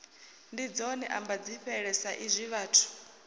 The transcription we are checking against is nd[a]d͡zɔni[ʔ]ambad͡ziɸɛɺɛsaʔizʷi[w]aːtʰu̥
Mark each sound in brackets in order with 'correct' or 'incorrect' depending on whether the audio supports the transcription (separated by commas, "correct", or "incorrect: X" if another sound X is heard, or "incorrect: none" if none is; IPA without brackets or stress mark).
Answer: incorrect: i, correct, incorrect: β